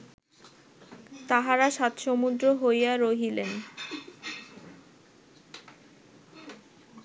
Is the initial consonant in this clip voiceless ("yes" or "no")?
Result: yes